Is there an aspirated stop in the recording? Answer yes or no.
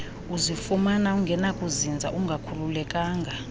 yes